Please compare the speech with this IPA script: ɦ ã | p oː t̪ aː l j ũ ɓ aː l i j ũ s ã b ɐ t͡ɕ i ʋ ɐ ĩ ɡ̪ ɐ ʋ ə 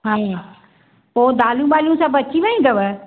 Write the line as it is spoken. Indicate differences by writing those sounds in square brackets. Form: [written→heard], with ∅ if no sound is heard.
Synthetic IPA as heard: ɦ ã | p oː [t̪→d̪] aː l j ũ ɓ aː l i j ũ s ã b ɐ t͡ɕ i ʋ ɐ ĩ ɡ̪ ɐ ʋ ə